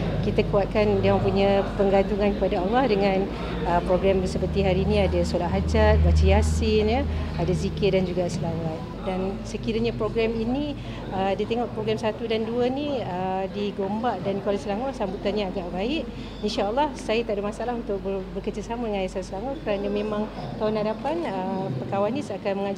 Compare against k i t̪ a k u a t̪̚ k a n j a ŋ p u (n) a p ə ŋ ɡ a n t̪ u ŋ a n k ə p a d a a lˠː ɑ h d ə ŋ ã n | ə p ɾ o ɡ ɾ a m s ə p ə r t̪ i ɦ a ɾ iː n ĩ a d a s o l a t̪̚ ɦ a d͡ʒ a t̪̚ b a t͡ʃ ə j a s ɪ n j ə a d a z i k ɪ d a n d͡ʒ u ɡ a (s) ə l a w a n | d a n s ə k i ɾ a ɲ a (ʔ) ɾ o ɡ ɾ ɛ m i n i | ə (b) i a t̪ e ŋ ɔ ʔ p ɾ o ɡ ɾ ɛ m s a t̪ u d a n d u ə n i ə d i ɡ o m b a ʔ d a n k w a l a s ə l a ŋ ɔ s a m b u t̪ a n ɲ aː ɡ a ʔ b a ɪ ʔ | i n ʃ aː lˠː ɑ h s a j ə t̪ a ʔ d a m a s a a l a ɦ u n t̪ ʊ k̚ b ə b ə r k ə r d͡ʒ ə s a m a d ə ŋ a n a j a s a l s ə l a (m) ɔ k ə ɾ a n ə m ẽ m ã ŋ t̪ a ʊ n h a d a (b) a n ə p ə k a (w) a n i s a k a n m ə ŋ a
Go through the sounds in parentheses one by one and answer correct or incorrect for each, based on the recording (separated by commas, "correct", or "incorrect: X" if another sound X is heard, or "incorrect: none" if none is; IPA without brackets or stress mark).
incorrect: ɲ, correct, incorrect: p, incorrect: d, incorrect: ŋ, incorrect: p, correct